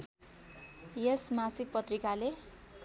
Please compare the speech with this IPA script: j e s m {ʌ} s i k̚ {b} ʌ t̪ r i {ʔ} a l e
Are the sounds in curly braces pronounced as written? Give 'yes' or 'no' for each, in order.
no, no, no

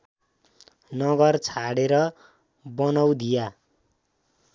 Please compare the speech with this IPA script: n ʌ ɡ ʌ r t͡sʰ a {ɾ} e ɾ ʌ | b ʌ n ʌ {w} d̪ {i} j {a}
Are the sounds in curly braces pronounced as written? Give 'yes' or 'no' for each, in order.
no, yes, yes, yes

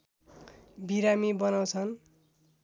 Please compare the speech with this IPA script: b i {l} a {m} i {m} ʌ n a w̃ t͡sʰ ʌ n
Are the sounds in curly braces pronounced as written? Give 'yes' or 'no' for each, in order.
no, yes, no

